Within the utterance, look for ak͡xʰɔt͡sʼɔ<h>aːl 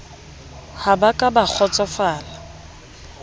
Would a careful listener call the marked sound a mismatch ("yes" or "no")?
yes